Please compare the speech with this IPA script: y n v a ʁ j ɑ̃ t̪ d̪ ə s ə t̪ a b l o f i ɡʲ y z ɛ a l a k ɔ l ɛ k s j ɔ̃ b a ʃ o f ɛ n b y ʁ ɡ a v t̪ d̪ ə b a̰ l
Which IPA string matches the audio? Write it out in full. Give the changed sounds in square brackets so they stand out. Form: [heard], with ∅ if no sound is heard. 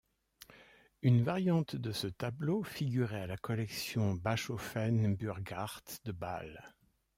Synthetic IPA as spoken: y n v a ʁ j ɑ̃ t̪ d̪ ə s ə t̪ a b l o f i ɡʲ y [ʁ] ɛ a l a k ɔ l ɛ k s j ɔ̃ b a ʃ o f ɛ n b y ʁ ɡ a [ʁ] t̪ d̪ ə b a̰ l